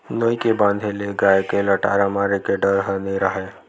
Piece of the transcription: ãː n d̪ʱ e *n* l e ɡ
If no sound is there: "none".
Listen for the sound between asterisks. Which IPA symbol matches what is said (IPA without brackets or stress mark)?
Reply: none